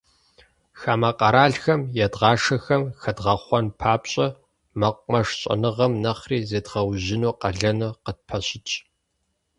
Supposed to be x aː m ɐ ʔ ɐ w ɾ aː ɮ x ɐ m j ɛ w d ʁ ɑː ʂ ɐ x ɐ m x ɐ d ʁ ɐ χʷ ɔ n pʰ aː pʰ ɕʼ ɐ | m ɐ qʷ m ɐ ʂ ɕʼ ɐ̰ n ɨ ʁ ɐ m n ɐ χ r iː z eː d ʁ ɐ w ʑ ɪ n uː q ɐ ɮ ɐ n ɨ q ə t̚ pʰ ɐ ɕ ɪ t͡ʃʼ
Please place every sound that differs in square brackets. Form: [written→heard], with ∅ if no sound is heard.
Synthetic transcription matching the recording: x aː m ɐ [ʔ→q] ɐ [w→∅] ɾ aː ɮ x ɐ m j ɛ [w→∅] d ʁ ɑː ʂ ɐ x ɐ m x ɐ d ʁ ɐ χʷ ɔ n pʰ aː [pʰ→p] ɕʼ ɐ | m ɐ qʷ m ɐ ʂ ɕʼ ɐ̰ n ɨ ʁ ɐ m n ɐ χ r iː z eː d ʁ ɐ w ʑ ɪ n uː q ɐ ɮ ɐ n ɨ q ə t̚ pʰ ɐ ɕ ɪ t͡ʃʼ